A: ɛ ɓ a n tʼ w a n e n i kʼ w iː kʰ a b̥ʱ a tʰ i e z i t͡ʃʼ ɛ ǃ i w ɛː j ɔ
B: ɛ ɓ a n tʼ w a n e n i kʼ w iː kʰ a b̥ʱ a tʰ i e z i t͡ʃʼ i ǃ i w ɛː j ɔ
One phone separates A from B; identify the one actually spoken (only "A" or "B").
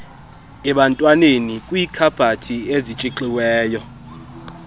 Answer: B